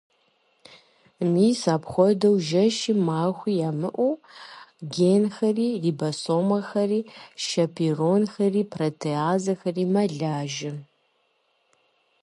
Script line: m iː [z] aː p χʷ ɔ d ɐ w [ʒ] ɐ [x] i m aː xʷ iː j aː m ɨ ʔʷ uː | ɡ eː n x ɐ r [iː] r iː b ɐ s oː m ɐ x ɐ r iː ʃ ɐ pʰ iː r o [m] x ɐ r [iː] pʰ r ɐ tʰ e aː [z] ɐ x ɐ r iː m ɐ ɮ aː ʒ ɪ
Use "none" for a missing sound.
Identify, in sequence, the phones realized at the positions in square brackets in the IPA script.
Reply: s, ʒ, ʃ, iː, n, iː, z

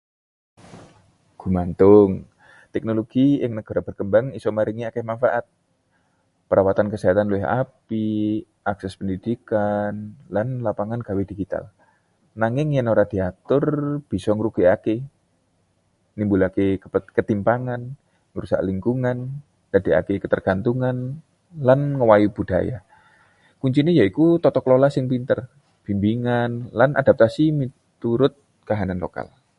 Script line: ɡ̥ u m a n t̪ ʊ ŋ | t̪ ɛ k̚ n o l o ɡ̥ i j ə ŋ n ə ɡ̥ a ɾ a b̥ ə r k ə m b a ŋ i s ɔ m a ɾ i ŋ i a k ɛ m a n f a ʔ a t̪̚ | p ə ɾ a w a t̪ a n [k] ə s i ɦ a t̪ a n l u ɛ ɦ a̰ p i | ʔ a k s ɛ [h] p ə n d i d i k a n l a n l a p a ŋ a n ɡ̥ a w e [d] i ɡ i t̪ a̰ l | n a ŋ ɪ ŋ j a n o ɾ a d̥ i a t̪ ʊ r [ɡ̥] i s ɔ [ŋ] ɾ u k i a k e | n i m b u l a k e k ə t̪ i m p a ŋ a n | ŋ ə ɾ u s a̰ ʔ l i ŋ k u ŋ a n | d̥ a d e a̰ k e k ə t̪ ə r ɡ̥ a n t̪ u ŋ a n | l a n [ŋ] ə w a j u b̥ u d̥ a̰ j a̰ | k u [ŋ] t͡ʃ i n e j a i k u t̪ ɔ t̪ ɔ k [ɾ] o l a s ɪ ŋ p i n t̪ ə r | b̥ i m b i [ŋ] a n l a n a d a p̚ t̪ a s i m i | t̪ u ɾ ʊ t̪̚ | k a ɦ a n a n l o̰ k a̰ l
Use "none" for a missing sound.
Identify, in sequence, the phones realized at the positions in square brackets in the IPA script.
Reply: k, s, d, b̥, ŋ, ŋ, ɲ, l, ŋ

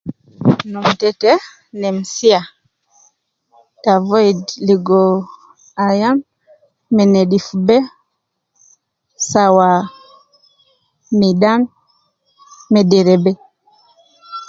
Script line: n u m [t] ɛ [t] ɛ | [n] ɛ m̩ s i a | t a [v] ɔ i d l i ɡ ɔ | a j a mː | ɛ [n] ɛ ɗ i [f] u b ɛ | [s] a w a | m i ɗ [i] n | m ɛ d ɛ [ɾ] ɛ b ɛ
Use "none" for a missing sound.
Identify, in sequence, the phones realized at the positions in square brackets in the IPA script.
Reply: t, t, n, v, n, f, s, a, ɾ

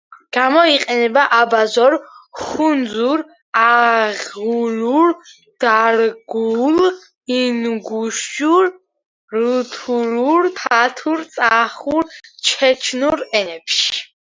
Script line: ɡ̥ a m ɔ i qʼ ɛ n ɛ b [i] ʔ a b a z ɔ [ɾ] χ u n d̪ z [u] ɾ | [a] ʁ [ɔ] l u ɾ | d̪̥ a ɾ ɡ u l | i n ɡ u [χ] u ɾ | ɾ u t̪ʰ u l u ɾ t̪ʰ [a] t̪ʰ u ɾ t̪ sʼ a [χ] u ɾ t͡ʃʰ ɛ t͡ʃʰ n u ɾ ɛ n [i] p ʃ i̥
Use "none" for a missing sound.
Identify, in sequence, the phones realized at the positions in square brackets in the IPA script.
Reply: a, ɾ, u, a, u, ʃ, a, χ, ɛ

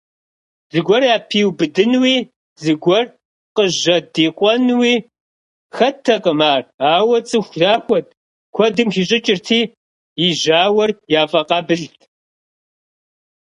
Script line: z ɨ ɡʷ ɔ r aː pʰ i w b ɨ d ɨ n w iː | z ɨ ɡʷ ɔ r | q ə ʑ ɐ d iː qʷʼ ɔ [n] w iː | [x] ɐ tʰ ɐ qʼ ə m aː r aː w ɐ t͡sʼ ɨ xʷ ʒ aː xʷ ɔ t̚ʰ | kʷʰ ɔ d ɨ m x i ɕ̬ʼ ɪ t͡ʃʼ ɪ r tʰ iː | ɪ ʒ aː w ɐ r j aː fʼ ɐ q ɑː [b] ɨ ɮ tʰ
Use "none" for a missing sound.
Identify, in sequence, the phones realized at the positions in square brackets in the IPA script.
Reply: n, x, b

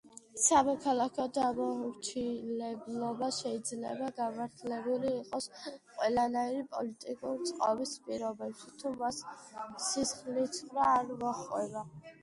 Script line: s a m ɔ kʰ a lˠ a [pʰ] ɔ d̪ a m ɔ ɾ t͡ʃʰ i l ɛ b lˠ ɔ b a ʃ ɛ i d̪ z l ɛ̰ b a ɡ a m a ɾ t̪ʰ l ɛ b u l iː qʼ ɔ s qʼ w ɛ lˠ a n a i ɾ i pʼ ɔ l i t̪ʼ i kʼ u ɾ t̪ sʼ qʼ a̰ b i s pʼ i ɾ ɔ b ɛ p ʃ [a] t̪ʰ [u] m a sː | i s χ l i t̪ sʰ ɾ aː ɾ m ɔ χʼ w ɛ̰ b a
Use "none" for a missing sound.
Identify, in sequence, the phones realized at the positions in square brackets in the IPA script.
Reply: kʰ, i, u

